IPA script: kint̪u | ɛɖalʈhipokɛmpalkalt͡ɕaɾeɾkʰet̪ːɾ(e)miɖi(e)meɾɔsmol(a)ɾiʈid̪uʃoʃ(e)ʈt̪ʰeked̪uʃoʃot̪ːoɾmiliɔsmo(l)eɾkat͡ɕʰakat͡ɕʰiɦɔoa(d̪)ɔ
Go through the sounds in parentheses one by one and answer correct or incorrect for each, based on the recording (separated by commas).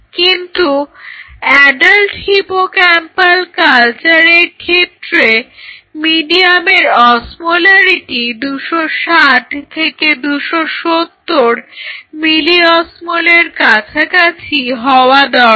correct, incorrect, correct, incorrect, correct, correct